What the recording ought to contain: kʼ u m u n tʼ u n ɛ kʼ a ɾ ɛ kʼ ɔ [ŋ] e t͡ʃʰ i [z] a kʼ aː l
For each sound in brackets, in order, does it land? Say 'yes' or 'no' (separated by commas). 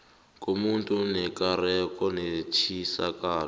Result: no, no